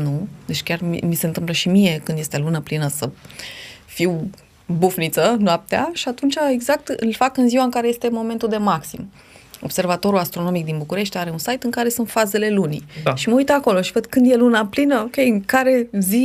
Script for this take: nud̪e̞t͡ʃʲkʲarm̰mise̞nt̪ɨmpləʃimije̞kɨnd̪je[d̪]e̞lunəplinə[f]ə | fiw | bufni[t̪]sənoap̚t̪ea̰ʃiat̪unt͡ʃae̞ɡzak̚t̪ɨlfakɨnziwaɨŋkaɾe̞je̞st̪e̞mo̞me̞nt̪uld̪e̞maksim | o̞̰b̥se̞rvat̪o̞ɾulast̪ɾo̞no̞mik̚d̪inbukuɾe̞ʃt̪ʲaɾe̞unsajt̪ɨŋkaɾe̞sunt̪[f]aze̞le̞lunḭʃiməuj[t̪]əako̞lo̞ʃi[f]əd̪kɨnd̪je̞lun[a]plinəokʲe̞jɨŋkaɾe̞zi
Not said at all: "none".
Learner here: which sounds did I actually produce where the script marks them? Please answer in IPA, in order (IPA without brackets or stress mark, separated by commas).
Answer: t̪, s, t̪, f, t̪, v, a